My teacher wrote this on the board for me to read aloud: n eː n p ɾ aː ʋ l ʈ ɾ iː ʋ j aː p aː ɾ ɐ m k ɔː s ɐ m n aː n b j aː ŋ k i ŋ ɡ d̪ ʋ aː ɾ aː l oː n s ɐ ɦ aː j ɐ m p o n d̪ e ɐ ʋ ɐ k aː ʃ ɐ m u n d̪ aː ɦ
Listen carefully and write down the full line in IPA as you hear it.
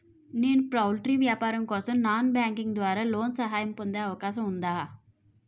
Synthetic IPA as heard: n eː n p ɾ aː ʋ l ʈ ɾ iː ʋ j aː p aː ɾ ɐ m k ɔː s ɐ m n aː n b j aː ŋ k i ŋ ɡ d̪ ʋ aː ɾ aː l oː n s ɐ ɦ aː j ɐ m p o n d̪ e ɐ ʋ ɐ k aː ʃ ɐ m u n d̪ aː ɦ